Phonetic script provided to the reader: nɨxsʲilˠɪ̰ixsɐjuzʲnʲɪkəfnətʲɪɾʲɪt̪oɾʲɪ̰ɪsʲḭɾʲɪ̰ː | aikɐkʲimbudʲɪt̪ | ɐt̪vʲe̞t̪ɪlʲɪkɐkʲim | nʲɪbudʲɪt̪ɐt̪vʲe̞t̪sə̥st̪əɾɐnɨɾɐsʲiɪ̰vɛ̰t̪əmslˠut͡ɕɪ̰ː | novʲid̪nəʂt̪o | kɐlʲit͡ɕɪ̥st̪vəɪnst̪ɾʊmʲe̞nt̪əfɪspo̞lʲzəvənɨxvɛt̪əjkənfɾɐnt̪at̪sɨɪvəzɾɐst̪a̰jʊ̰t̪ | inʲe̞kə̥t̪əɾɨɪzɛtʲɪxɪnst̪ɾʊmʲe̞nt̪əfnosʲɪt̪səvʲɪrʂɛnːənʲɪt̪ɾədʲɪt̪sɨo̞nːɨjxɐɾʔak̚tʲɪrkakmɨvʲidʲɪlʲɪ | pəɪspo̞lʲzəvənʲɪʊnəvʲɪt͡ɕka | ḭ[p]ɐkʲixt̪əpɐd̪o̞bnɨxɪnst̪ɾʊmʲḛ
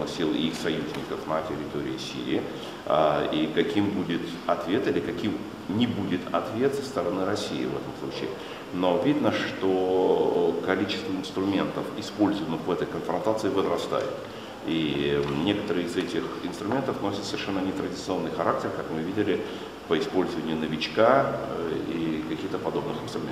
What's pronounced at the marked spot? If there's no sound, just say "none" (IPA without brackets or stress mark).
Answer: k